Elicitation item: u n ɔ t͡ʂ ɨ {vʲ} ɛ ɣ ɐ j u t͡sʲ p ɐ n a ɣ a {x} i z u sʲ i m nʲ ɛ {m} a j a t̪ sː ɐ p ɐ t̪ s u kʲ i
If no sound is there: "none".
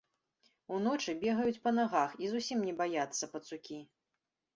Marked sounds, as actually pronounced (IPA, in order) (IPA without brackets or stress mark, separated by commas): bʲ, x, b